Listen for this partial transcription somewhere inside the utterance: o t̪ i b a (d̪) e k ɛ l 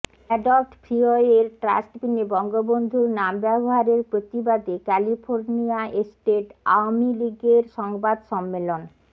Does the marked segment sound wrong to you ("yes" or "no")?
no